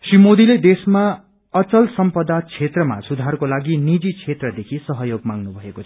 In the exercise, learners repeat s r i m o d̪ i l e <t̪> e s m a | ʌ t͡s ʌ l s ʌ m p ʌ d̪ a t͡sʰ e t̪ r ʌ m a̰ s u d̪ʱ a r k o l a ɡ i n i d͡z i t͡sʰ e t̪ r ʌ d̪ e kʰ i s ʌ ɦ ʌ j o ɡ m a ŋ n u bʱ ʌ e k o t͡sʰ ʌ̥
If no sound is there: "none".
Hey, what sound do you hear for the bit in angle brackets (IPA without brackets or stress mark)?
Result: d̪